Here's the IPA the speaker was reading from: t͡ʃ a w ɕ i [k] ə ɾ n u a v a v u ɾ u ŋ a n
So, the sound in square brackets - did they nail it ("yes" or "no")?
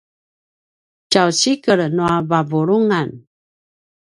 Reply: yes